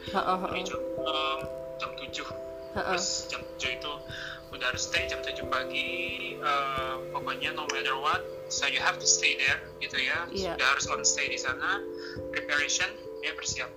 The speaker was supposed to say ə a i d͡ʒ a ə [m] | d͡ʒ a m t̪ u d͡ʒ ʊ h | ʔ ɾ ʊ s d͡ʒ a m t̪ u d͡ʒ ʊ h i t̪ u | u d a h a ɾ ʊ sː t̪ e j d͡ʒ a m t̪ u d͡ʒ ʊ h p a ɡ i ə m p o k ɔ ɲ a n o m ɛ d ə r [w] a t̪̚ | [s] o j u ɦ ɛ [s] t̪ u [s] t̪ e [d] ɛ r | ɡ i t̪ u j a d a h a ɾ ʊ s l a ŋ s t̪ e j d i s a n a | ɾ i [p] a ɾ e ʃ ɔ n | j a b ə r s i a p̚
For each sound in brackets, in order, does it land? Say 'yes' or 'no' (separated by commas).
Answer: yes, yes, yes, no, yes, yes, yes